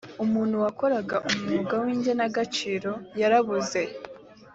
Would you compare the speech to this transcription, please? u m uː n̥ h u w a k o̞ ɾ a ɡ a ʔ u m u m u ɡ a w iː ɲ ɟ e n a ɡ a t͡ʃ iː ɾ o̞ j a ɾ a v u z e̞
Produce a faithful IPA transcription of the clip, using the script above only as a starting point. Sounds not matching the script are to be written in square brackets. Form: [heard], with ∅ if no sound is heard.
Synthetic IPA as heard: u m uː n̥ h u w a k o̞ ɾ a ɡ a ʔ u m u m u ɡ a w iː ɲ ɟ e n a ɡ a t͡ʃ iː ɾ o̞ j a ɾ a [β] u z e̞